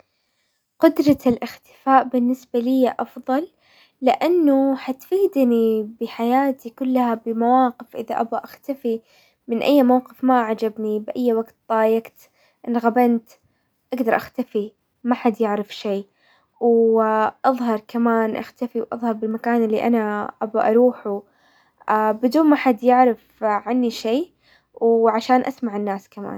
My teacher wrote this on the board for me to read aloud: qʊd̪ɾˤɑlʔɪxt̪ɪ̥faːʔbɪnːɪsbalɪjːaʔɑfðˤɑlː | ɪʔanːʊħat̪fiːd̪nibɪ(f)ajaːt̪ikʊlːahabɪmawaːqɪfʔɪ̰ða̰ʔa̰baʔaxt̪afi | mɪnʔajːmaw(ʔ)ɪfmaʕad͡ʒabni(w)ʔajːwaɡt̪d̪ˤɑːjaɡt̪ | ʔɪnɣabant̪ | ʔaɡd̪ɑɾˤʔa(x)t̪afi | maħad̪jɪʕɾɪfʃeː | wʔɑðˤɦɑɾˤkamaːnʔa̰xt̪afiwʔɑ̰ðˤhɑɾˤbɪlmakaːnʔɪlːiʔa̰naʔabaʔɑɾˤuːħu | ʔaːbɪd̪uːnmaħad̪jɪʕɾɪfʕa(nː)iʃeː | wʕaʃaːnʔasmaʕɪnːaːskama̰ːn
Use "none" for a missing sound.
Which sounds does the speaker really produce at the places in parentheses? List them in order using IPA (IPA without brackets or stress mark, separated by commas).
ħ, q, b, x, nː